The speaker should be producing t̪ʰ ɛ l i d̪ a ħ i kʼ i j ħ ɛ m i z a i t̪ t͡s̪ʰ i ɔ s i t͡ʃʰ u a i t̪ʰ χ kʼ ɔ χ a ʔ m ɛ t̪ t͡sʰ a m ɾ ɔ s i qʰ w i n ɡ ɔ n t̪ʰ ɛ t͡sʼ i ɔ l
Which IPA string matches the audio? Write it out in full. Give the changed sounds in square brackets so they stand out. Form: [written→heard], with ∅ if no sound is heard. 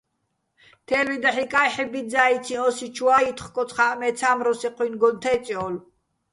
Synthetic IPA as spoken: t̪ʰ ɛ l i d̪ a ħ i kʼ [i→a] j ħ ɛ [m→b] i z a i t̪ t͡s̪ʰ i ɔ s i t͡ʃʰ u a i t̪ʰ χ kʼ ɔ χ a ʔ m ɛ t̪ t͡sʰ a m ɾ ɔ s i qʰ w i n ɡ ɔ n t̪ʰ ɛ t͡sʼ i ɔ l

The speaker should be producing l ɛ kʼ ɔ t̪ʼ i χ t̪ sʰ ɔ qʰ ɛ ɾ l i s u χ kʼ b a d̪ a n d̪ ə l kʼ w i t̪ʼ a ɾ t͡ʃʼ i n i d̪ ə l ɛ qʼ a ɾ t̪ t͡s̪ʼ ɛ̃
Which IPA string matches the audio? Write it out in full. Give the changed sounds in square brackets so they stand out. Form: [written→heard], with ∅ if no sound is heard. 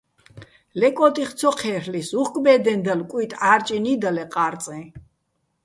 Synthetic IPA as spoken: l ɛ kʼ ɔ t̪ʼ i χ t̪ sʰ ɔ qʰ ɛ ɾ l i s u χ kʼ b [a→ɛ] d̪ [a→ɛ] n d̪ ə l kʼ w i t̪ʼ a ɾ t͡ʃʼ i n i d̪ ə l ɛ qʼ a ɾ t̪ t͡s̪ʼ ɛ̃

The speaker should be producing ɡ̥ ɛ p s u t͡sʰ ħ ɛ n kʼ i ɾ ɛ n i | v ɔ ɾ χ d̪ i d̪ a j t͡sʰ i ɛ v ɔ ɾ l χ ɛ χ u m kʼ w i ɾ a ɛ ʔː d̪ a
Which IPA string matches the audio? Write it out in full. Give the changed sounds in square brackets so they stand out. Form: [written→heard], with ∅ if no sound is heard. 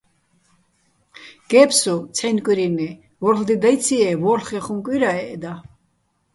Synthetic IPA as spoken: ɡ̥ ɛ p s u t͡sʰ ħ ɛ n kʼ i ɾ [ɛ→i] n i | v ɔ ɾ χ d̪ i d̪ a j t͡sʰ i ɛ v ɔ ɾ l χ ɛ χ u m kʼ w i ɾ a ɛ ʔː d̪ a

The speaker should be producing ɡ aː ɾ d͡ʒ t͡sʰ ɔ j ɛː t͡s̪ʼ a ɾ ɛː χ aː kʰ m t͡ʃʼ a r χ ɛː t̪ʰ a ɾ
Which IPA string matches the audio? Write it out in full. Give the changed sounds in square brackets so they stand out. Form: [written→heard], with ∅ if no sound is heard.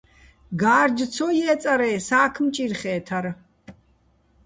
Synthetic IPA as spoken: ɡ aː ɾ d͡ʒ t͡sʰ ɔ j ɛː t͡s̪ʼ a ɾ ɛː [χ→s] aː kʰ m t͡ʃʼ [a→i] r χ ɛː t̪ʰ a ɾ

